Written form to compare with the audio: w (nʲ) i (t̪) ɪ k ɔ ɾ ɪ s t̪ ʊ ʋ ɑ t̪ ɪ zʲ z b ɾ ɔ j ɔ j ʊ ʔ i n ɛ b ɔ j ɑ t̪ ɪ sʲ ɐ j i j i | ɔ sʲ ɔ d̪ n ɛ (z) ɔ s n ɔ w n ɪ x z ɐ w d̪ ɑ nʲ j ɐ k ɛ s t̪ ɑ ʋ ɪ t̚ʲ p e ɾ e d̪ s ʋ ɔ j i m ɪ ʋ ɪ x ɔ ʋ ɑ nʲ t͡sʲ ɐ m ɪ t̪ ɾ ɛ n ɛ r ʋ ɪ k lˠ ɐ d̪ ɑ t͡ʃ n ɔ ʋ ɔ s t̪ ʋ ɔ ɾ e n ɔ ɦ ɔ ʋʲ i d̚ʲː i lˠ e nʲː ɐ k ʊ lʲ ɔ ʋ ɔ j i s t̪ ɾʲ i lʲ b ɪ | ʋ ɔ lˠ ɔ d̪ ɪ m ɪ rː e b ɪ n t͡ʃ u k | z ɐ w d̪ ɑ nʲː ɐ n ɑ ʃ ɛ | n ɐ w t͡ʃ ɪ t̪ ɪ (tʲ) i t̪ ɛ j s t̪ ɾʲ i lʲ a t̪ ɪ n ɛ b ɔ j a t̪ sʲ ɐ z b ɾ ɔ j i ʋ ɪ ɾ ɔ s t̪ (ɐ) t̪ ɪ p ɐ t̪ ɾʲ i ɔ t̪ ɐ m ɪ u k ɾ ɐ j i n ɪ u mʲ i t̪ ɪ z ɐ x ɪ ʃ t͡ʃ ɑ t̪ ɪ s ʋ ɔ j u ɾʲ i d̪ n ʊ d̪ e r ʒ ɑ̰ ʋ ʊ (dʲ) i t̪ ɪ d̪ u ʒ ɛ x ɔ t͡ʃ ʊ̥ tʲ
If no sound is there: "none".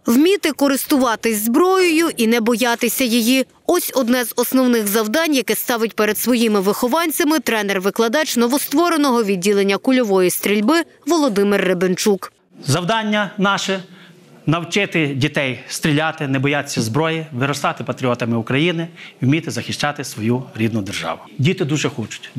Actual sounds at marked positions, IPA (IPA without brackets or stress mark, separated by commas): mʲ, t̪, z, dʲ, ɑ, dʲ